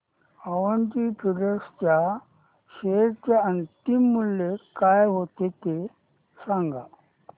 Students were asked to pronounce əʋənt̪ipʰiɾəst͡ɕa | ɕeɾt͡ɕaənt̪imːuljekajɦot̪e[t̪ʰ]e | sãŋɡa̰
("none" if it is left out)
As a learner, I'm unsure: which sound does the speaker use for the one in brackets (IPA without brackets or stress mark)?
t̪